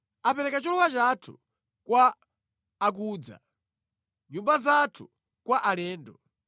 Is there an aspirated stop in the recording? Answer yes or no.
yes